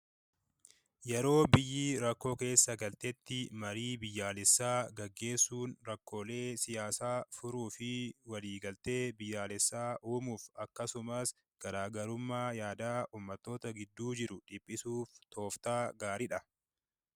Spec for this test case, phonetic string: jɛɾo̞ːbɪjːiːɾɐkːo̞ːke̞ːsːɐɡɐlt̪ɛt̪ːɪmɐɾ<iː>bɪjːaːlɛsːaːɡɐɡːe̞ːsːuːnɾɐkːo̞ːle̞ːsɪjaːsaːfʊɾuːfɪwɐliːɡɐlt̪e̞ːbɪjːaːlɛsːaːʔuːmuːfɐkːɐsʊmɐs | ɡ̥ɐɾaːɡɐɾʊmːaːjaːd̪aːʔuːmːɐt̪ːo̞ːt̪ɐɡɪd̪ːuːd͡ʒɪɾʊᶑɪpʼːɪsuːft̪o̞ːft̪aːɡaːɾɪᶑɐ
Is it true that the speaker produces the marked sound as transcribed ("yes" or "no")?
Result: yes